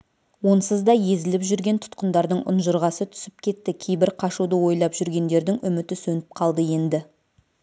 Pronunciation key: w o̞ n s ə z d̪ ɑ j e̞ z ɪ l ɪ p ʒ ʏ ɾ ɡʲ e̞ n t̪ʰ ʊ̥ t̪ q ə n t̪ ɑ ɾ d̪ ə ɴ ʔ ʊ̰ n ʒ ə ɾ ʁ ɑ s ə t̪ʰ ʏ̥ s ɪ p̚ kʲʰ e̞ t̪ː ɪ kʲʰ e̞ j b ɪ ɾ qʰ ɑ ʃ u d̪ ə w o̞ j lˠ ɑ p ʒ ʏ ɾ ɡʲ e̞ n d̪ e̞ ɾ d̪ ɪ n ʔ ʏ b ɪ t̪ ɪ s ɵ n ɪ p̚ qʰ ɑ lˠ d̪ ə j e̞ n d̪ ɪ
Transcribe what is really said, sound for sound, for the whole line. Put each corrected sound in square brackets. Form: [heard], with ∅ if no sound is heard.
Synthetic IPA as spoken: w o̞ n s ə z d̪ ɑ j e̞ z ɪ l ɪ p ʒ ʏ ɾ ɡʲ e̞ n t̪ʰ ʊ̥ t̪ q ə n [d̪] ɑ ɾ d̪ ə ɴ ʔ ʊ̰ n ʒ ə ɾ ʁ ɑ s ə t̪ʰ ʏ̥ s ɪ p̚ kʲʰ e̞ t̪ː ɪ kʲʰ e̞ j b ɪ ɾ qʰ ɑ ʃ u d̪ ə w o̞ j lˠ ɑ p ʒ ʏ ɾ ɡʲ e̞ n d̪ e̞ ɾ d̪ ɪ [ŋ] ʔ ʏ [m] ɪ t̪ ɪ s ɵ n ɪ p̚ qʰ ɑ lˠ d̪ ə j e̞ n d̪ ɪ